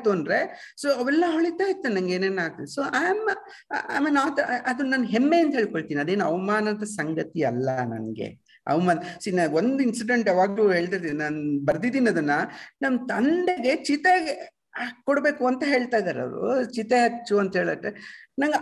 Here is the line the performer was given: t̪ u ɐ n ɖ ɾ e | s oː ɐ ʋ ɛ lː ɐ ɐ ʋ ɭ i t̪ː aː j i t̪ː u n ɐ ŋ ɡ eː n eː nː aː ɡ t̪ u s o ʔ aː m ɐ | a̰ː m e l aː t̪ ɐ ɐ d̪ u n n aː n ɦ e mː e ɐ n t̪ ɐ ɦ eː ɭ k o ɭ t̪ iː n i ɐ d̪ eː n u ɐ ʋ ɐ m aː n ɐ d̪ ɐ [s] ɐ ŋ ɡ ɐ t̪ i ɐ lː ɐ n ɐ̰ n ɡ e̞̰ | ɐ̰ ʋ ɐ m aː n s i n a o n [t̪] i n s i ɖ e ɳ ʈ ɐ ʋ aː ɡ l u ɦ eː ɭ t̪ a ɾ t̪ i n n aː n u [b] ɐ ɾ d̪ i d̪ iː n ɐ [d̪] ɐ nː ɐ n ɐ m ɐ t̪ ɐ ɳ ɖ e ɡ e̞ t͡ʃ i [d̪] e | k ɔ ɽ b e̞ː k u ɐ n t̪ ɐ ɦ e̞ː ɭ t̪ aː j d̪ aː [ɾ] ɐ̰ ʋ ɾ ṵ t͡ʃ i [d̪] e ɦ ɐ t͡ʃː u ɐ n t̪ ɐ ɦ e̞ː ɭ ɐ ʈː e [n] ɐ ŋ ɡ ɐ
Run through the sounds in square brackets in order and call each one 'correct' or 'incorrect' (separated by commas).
correct, incorrect, correct, correct, incorrect, correct, incorrect, correct